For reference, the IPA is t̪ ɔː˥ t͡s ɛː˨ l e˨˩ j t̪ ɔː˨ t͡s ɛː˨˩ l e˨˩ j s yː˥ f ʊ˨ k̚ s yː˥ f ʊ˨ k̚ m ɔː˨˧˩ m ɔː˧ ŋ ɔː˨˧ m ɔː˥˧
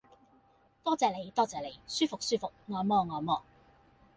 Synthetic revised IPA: t̪ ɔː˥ t͡s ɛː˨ l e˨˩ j t̪ ɔː˥ t͡s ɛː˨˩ l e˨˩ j s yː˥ f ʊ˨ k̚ s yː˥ f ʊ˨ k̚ ŋ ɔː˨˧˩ m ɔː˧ ŋ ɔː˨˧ m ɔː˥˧

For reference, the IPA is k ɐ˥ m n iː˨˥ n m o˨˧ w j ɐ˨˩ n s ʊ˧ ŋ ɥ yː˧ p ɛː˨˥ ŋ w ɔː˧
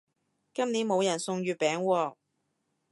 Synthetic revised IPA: k ɐ˥ m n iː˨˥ n m o˨˧ w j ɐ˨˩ n s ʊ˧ ŋ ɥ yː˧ p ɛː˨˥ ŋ w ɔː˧

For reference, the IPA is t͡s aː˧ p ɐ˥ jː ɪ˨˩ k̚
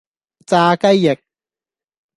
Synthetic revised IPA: t͡s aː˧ k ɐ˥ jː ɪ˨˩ k̚

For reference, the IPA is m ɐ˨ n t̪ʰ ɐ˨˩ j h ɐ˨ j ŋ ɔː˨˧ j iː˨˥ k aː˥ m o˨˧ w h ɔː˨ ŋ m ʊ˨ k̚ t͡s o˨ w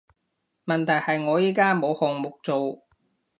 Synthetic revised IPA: m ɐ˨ n t̪ʰ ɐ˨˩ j h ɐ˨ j ŋ ɔː˨˧ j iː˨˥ k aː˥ m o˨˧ w h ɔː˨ ŋ m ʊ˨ k̚ t͡s o˨ w

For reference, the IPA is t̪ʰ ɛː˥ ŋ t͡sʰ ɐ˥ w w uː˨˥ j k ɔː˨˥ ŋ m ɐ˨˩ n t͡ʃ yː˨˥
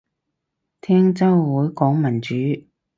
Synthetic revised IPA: t̪ʰ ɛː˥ ŋ t͡s ɐ˥ w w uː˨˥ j k ɔː˨˥ ŋ m ɐ˨˩ n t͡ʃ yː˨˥

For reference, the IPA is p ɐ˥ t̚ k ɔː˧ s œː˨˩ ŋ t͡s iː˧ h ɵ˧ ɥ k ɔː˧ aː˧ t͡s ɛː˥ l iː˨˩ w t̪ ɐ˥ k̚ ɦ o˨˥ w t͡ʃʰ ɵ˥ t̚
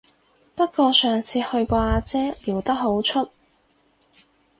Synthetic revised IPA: p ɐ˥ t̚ k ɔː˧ s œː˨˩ ŋ t͡sʰ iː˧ h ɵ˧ ɥ k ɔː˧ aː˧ t͡s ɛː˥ l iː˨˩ w t̪ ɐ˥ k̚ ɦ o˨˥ w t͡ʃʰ ɵ˥ t̚

